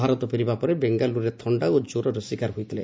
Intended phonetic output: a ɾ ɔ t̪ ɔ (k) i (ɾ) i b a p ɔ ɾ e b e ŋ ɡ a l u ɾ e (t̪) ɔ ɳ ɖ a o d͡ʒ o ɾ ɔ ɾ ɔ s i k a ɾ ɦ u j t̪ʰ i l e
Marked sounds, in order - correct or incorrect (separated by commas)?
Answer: incorrect, correct, incorrect